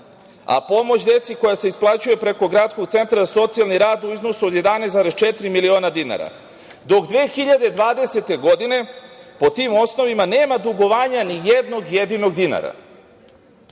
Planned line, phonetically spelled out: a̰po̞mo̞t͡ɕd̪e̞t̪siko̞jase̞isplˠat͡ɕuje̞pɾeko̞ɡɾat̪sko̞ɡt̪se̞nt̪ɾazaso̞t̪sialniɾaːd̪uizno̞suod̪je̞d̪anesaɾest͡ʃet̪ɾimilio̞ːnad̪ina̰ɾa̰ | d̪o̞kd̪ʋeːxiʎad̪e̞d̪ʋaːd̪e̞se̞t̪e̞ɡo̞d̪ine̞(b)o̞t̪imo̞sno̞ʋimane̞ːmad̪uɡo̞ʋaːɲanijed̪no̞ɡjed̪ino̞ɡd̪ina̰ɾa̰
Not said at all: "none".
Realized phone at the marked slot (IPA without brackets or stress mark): p